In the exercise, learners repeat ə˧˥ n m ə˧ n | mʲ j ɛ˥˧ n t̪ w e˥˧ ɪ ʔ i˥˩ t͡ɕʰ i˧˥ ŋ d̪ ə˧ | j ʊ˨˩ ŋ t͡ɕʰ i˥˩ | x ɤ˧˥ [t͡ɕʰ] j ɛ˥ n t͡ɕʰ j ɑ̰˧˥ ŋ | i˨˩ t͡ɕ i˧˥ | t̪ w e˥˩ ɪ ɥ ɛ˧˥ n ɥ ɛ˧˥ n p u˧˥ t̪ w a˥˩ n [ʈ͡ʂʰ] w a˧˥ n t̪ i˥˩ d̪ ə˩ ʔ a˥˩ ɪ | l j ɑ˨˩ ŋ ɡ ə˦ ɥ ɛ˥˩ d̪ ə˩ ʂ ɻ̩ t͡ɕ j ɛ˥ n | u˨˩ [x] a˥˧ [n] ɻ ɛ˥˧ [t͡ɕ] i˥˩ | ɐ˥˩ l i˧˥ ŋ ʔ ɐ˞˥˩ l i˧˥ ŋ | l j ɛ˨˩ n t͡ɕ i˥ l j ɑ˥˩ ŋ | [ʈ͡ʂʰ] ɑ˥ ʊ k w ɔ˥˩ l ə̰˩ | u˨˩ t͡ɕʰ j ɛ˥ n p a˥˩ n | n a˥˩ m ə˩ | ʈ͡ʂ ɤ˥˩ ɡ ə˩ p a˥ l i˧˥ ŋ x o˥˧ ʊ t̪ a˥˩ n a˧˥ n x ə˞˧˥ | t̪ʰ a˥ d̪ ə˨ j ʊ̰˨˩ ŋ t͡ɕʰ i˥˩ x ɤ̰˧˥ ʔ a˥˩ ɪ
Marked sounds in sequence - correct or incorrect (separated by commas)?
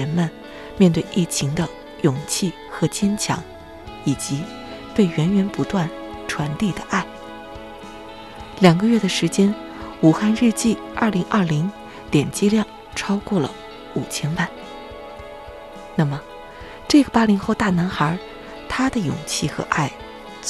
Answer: incorrect, correct, correct, correct, correct, correct